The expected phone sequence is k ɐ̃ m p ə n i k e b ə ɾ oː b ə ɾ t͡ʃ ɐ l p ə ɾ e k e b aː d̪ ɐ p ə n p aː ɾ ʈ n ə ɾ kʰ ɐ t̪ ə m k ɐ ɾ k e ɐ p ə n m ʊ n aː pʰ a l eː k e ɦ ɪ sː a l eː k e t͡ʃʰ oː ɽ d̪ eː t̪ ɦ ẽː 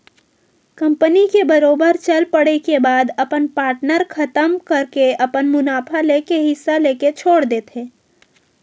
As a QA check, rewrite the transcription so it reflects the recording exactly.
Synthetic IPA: k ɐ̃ m p ə n i k e b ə ɾ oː b ə ɾ t͡ʃ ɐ l p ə ɽ e k e b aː d̪ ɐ p ə n p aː ɾ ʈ n ə ɾ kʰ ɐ t̪ ə m k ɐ ɾ k e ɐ p ə n m ʊ n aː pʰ a l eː k e ɦ ɪ sː a l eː k e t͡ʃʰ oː ɽ d̪ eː t̪ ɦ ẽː